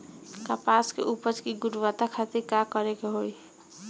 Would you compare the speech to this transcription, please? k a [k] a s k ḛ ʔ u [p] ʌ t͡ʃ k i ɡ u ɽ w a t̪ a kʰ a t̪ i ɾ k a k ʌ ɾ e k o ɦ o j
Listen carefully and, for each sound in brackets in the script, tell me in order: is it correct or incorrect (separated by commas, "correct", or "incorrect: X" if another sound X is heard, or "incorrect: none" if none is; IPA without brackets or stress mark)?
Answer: incorrect: p, correct